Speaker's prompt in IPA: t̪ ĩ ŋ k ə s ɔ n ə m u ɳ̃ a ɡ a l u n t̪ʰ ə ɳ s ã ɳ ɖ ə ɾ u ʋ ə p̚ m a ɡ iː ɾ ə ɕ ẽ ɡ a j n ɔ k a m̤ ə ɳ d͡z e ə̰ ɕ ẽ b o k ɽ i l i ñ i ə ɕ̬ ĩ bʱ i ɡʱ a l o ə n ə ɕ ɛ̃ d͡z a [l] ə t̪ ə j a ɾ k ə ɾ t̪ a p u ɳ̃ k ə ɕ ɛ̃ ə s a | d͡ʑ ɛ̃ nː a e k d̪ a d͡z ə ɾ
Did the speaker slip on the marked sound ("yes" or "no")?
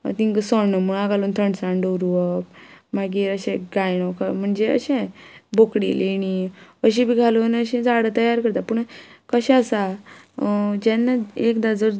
yes